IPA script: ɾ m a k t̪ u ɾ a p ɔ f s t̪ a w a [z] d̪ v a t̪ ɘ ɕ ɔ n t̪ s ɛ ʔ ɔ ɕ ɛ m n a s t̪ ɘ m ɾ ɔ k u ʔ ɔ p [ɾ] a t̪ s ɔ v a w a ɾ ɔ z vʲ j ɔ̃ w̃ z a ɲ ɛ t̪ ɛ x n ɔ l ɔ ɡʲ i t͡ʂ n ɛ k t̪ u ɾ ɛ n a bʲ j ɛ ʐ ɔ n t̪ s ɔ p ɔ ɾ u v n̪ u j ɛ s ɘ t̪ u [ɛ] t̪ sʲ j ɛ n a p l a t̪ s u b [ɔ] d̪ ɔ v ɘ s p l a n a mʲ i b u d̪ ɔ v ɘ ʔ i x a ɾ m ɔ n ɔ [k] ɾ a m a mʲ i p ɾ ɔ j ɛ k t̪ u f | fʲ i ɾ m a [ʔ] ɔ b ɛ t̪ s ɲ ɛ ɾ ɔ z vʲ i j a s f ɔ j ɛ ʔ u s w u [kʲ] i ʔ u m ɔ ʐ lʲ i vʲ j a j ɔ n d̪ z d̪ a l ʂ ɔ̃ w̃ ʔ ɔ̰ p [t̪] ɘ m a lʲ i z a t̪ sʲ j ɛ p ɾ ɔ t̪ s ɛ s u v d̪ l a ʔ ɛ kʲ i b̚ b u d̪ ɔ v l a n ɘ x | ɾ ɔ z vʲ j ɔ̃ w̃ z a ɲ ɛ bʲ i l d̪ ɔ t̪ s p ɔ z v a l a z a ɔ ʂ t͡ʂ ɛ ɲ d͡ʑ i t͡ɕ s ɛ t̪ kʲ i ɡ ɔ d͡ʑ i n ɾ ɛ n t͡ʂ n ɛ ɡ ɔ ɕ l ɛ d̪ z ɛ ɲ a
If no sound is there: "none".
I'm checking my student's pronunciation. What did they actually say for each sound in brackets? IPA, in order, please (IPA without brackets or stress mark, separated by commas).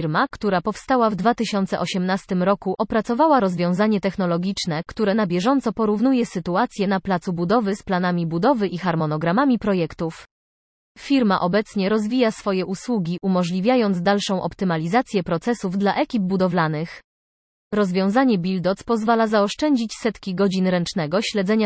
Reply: v, ɾ, a, u, ɡ, ʔ, ɡʲ, t̪